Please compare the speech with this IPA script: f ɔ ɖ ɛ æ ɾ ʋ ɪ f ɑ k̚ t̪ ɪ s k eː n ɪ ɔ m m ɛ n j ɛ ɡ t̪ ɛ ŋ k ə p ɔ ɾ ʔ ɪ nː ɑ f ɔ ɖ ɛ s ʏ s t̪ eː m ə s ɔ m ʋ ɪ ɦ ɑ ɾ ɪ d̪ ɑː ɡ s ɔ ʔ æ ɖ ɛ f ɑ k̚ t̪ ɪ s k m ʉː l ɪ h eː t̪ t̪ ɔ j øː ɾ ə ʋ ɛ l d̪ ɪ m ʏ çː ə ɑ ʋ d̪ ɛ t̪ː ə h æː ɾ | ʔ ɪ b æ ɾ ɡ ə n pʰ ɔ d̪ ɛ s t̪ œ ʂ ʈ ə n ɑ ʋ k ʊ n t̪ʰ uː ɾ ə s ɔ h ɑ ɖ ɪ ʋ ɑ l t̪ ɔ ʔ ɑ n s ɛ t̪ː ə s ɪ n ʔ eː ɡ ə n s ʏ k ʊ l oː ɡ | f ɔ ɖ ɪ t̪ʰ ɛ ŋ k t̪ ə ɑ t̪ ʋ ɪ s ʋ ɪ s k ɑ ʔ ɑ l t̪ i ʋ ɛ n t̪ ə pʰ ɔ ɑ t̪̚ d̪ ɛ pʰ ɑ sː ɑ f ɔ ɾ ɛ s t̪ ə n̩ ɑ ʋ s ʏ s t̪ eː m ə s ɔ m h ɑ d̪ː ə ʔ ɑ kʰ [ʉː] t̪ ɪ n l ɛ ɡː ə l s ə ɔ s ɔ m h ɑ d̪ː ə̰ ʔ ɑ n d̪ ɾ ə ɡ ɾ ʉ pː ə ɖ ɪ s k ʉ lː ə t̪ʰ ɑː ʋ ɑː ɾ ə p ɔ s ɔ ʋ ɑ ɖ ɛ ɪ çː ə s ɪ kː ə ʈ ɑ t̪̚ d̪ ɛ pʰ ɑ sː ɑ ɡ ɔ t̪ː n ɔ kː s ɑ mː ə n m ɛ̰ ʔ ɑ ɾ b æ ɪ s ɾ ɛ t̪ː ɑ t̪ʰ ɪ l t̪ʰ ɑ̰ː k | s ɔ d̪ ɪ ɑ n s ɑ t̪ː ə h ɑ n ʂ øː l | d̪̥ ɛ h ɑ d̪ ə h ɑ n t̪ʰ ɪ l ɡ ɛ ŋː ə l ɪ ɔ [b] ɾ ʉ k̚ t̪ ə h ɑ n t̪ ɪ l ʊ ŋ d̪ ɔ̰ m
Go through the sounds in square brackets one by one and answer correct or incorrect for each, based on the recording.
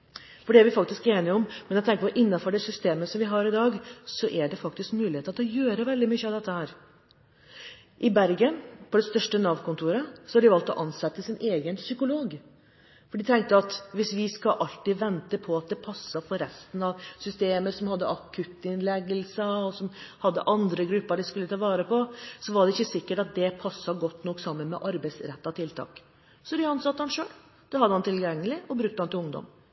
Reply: incorrect: ʉ, correct

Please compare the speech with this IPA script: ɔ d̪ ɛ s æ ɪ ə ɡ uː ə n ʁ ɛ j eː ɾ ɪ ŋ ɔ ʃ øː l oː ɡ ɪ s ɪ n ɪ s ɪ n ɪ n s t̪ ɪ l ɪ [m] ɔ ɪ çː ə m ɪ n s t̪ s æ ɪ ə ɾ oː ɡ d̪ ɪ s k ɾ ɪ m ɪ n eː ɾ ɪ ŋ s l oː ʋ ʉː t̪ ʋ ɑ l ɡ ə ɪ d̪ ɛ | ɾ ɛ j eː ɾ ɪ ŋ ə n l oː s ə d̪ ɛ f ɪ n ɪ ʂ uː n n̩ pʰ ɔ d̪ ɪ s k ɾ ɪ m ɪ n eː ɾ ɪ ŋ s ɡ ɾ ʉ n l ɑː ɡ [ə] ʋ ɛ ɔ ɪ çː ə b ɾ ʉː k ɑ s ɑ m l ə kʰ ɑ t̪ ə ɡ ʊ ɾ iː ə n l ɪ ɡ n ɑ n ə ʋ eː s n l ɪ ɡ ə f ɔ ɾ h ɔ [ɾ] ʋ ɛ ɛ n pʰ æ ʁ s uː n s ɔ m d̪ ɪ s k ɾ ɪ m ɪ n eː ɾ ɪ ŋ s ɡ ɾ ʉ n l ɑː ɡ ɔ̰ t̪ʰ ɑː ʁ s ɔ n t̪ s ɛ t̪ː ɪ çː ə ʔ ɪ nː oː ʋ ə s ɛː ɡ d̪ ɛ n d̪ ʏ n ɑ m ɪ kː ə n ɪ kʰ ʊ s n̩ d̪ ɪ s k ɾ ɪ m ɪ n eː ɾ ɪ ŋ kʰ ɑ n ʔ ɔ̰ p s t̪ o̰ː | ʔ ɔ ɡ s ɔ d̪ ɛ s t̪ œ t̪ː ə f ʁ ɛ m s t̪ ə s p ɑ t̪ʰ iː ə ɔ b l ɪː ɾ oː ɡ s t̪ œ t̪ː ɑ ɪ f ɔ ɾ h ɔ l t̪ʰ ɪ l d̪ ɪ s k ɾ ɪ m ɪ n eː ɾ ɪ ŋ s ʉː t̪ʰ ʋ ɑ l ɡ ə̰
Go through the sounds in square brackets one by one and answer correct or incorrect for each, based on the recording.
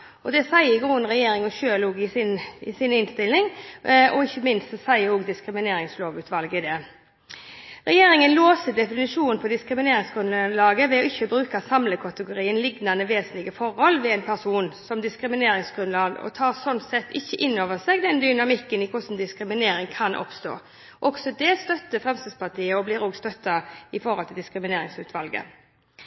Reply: incorrect: ŋ, correct, incorrect: l

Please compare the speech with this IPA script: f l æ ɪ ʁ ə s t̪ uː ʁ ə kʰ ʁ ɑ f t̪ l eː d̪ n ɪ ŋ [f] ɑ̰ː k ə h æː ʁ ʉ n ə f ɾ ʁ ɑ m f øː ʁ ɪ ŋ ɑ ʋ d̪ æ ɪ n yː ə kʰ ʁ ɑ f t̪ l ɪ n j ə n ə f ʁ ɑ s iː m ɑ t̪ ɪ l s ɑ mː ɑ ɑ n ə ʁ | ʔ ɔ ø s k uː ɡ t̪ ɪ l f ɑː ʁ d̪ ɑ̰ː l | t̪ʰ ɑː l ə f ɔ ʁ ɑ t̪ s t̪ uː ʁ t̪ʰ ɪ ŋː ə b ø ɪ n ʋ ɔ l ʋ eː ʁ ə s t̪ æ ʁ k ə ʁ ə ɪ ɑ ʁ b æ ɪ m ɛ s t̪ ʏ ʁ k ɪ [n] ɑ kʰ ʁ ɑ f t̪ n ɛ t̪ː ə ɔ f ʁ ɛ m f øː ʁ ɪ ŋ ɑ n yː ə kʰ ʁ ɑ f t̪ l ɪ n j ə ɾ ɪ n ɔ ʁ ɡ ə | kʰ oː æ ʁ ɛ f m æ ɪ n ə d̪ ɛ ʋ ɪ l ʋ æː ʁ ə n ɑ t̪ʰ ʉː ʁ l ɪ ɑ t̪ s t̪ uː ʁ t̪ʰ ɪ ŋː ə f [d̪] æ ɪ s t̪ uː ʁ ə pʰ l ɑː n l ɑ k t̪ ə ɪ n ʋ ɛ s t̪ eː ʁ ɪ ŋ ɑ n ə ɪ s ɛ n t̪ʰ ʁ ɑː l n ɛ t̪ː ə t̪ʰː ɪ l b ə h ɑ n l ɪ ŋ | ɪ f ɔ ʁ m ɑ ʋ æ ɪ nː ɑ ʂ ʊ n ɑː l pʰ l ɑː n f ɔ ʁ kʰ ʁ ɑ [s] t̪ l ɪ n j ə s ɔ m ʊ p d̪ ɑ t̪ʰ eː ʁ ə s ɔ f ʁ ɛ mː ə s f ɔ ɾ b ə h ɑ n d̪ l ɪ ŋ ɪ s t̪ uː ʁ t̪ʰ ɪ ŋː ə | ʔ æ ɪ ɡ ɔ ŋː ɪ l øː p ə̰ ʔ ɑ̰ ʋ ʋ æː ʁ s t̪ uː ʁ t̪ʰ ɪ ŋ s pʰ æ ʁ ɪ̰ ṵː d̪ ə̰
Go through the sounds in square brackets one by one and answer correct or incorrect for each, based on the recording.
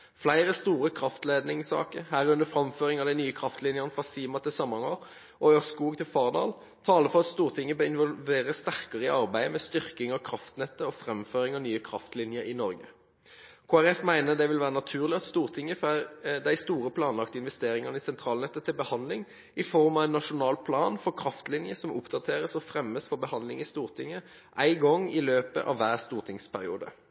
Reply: incorrect: s, incorrect: ŋ, correct, incorrect: f

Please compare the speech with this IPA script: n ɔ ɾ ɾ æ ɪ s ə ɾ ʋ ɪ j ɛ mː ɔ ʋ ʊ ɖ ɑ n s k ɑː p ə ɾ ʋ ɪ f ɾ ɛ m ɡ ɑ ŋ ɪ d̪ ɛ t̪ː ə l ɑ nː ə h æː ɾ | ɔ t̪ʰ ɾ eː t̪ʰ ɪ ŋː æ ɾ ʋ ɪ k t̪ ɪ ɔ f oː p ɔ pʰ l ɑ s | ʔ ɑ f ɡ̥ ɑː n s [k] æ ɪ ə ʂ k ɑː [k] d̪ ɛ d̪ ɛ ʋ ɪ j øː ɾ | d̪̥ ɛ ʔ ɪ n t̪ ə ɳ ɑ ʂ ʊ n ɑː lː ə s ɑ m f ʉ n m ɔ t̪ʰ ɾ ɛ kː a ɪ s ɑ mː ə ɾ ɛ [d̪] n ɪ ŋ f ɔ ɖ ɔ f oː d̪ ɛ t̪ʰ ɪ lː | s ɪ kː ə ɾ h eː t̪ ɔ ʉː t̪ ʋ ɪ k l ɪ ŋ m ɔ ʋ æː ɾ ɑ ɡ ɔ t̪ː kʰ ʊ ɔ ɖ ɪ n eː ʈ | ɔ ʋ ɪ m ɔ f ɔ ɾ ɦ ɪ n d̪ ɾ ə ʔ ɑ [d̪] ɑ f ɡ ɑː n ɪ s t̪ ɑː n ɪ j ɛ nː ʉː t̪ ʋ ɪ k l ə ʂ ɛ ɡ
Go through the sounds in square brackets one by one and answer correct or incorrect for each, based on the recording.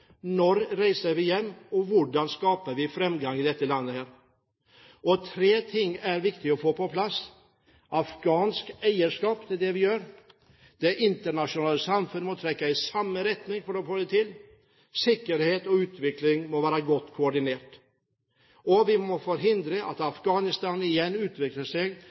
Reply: correct, incorrect: p, incorrect: t̪, incorrect: t̪

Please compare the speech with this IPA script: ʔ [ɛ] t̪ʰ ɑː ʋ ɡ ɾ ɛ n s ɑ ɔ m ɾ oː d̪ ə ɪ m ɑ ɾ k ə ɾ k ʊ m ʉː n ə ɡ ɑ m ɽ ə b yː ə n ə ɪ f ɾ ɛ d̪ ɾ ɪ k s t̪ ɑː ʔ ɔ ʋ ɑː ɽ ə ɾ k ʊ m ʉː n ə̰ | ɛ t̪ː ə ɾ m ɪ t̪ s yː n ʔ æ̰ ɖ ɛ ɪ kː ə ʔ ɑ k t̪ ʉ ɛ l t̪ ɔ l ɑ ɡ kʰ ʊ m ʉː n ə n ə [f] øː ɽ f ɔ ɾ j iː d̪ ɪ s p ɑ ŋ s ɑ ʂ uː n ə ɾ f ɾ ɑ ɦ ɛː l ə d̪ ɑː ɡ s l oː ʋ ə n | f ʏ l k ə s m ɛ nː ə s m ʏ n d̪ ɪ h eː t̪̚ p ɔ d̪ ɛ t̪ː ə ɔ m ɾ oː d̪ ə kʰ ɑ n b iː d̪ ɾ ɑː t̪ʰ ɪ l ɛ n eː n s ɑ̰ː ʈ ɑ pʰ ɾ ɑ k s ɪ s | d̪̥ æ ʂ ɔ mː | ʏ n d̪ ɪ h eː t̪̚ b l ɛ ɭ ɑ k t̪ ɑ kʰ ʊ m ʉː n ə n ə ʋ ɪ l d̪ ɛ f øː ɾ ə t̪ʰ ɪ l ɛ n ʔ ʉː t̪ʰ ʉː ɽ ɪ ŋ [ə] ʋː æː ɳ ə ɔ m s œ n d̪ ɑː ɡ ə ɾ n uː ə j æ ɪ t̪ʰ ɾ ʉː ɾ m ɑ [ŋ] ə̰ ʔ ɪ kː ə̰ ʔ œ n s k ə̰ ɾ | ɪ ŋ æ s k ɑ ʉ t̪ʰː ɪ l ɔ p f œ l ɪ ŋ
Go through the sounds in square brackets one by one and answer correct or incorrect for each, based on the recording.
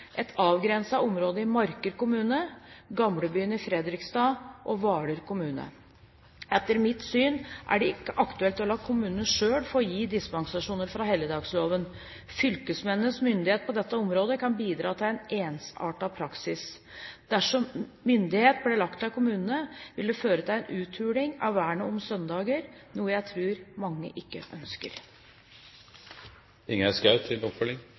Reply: correct, incorrect: ʂ, incorrect: ɑ, incorrect: ŋː

